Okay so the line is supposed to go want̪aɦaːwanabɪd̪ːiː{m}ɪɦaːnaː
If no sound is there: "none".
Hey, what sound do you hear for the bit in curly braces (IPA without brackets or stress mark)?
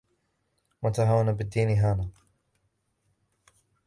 n